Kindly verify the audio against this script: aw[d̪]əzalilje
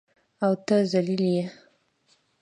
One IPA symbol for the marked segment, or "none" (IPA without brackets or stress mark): t̪